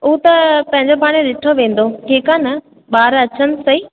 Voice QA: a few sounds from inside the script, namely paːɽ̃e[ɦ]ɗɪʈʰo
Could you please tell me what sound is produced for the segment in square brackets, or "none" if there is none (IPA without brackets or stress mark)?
none